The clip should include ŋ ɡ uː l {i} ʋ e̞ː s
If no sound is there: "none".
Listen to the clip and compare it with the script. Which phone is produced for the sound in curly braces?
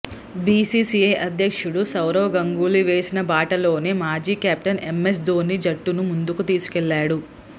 i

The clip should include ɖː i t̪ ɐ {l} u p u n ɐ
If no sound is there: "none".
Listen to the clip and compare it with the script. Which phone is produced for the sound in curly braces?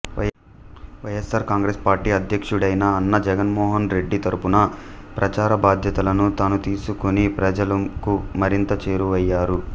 ɾ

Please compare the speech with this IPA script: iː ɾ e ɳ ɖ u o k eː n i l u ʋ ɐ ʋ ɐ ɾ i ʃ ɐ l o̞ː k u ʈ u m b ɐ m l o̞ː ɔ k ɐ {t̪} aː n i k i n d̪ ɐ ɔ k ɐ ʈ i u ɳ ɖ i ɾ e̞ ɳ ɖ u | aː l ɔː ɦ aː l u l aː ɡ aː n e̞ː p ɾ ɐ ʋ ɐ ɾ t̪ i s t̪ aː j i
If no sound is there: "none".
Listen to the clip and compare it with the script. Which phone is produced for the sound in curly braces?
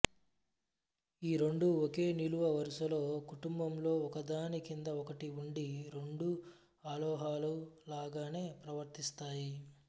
d̪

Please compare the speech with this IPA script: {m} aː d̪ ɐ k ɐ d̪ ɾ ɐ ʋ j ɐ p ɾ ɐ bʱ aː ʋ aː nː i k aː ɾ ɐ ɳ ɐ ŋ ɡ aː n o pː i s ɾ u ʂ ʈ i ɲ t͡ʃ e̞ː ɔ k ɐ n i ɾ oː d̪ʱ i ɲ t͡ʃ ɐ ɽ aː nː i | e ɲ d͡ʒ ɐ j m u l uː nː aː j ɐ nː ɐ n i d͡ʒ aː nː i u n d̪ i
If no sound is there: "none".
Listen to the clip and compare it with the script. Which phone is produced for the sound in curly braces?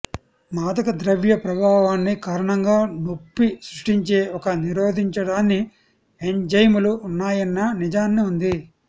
m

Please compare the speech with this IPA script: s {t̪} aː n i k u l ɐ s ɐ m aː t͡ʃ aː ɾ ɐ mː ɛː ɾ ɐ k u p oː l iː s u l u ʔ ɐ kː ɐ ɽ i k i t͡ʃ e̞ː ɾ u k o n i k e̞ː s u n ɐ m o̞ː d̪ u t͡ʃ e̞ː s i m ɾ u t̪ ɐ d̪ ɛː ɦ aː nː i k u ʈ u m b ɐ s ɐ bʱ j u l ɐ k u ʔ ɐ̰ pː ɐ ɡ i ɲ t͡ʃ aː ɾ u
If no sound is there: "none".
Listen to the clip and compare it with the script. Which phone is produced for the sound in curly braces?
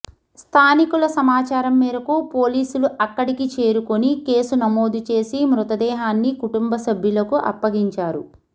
t̪ʰ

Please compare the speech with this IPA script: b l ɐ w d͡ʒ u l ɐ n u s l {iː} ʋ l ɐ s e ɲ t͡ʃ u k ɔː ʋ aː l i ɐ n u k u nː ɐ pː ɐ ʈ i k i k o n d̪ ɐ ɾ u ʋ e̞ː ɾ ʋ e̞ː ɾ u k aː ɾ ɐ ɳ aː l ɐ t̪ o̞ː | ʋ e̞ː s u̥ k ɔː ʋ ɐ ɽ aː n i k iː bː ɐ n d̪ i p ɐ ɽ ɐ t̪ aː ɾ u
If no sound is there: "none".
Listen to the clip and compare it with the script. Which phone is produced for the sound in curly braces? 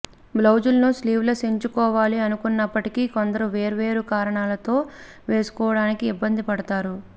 iː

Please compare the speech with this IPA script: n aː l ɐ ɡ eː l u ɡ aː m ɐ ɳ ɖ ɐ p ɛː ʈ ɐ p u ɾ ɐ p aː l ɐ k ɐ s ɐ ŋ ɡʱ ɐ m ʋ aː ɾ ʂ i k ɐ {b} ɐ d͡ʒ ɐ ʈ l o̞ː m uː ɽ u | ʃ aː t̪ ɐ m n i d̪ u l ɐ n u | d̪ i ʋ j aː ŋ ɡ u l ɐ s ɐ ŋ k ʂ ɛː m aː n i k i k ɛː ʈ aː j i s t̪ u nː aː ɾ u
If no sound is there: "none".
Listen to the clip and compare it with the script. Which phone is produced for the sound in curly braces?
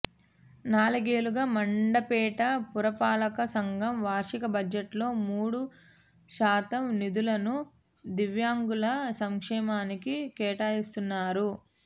b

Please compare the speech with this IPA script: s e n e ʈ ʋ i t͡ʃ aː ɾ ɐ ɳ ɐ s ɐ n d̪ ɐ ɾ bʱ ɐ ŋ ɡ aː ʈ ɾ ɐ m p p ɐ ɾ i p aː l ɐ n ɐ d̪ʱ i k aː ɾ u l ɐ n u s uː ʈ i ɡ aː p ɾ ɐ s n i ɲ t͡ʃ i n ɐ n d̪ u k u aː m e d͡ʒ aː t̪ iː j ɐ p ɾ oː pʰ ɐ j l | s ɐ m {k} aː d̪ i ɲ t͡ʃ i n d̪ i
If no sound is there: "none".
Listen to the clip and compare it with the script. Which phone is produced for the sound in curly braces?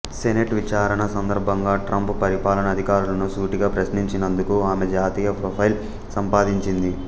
p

